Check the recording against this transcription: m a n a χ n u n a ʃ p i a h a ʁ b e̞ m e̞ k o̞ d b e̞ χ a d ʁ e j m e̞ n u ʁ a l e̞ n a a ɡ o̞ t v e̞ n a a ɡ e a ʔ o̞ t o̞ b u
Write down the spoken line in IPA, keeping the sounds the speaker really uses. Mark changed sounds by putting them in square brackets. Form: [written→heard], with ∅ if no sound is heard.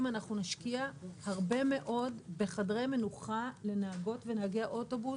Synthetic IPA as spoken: m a n a χ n u n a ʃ [p→k] i a h a ʁ b e̞ m e̞ [k→ʔ] o̞ d b e̞ χ a d ʁ e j m e̞ n u [ʁ→χ] a l e̞ n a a ɡ o̞ t v e̞ n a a ɡ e a ʔ o̞ t o̞ b u